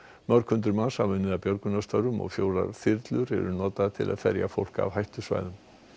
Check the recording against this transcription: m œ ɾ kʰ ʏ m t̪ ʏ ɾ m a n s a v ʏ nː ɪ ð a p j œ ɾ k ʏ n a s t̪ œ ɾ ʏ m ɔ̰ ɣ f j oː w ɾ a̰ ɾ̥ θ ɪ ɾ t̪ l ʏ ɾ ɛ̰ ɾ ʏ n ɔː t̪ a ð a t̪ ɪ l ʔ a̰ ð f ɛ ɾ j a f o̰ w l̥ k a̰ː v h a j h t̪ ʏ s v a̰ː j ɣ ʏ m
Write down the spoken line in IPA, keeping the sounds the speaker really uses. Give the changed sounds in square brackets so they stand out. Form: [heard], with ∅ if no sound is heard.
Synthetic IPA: m œ ɾ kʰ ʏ [n] t̪ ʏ ɾ m a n s a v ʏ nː ɪ ð a p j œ ɾ k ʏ n a s t̪ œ ɾ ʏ m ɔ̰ ɣ f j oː w ɾ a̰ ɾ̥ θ ɪ ɾ t̪ l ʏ ɾ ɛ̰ ɾ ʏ n ɔː t̪ a ð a [t̪ʰ] ɪ l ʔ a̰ ð f ɛ ɾ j a f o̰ w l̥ k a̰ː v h a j h t̪ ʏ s v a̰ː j [ð] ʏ m